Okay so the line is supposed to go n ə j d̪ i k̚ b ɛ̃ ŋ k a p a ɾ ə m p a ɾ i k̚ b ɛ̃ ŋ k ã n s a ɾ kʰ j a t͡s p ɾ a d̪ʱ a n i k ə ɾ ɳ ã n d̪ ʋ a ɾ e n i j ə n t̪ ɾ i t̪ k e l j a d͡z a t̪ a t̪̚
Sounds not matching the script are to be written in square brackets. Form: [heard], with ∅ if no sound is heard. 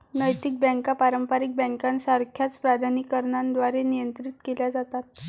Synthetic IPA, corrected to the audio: n ə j [t̪] i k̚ b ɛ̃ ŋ k a p a ɾ ə m p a ɾ i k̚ b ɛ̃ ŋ k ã n s a ɾ kʰ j a t͡s p ɾ a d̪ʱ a n i k ə ɾ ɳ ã n d̪ ʋ a ɾ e n i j ə n t̪ ɾ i t̪ k e l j a d͡z a t̪ a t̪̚